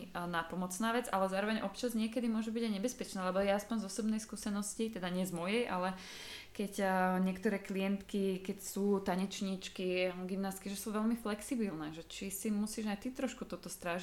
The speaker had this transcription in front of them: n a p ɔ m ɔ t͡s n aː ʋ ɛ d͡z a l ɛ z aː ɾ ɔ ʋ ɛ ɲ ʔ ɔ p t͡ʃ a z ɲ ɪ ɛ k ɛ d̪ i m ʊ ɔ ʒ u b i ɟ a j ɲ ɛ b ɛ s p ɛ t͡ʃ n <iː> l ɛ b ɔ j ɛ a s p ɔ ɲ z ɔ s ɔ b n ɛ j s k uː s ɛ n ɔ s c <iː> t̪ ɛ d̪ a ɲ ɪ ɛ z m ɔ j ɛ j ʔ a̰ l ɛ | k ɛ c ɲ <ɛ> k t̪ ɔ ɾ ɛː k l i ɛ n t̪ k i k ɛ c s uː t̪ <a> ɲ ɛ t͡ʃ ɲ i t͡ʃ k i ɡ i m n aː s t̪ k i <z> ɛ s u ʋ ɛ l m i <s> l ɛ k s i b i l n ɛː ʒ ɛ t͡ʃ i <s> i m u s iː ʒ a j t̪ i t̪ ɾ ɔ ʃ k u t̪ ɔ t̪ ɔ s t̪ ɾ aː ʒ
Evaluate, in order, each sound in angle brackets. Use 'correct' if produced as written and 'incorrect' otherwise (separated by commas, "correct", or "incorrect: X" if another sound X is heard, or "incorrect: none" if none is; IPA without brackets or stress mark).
incorrect: aː, incorrect: i, correct, correct, incorrect: ʒ, incorrect: f, correct